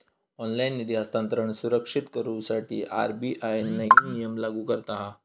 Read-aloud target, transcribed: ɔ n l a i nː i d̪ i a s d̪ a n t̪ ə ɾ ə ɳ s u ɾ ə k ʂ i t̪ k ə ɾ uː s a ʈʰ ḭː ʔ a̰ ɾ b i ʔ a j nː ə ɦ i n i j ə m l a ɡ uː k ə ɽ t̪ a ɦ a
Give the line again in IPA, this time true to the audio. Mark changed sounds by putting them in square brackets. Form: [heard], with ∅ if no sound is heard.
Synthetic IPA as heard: ɔ n l a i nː i d̪ i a s [t̪] a n t̪ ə ɾ ə ɳ s u ɾ ə k ʂ i t̪ k ə ɾ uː s a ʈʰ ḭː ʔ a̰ ɾ b i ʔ a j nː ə ɦ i n i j ə m l a ɡ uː k ə [ɾ] t̪ a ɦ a